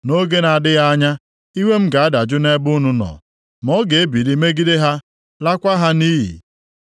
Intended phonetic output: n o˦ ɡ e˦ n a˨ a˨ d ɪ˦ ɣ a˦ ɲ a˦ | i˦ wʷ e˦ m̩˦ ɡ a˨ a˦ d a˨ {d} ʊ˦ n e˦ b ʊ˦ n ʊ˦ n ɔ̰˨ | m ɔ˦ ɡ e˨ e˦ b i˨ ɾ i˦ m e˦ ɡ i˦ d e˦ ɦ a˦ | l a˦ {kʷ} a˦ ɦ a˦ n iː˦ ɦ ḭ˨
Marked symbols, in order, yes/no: no, yes

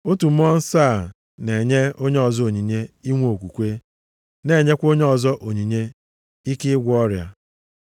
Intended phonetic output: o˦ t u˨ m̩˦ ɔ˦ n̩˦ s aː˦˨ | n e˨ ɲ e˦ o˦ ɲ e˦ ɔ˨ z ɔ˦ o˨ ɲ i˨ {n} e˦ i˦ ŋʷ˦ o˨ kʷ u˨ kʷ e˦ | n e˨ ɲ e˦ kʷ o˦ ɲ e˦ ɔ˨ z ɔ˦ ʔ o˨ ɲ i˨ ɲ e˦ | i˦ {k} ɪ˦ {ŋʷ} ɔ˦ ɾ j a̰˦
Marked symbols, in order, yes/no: no, yes, no

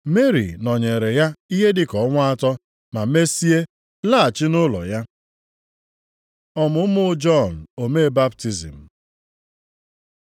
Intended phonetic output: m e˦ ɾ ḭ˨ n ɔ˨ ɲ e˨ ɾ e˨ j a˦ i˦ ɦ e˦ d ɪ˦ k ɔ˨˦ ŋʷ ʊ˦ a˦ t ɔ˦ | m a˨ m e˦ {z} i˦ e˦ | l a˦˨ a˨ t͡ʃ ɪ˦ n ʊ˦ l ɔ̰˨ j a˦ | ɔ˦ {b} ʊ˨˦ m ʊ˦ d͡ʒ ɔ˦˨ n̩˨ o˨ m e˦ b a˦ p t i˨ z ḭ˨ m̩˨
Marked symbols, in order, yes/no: no, no

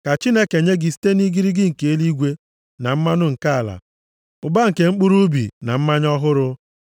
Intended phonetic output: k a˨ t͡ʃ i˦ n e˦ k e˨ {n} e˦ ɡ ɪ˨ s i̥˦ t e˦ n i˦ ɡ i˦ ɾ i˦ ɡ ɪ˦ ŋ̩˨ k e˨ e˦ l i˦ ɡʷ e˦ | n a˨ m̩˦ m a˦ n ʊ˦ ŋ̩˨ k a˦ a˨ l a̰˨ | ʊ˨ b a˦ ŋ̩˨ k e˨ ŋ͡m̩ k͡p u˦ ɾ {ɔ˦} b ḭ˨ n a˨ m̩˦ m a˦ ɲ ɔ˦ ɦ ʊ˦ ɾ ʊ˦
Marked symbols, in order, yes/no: no, no

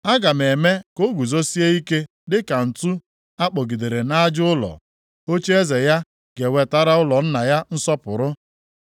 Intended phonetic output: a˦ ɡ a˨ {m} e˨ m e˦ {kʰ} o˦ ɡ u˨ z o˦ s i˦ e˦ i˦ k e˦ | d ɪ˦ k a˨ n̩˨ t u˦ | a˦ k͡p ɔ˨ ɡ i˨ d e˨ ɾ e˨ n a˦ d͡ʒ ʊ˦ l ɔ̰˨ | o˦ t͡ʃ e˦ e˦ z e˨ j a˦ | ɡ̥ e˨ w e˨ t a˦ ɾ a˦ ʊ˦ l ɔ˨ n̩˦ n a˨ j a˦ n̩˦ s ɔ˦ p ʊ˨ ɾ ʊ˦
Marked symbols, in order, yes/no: yes, no

